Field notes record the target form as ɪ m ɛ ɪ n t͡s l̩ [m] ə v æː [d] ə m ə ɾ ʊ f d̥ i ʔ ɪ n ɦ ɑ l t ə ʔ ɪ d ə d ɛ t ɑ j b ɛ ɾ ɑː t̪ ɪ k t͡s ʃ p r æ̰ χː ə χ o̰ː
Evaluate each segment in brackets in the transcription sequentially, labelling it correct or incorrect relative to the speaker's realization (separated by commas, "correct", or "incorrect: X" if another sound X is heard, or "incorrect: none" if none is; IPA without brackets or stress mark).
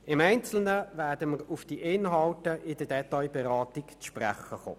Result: incorrect: n, correct